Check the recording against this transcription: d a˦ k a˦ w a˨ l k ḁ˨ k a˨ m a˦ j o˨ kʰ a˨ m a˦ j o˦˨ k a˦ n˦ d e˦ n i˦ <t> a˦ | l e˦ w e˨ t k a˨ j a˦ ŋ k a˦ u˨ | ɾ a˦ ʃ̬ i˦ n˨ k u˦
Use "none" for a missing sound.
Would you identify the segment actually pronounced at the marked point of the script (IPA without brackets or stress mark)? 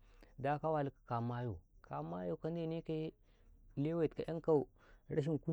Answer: k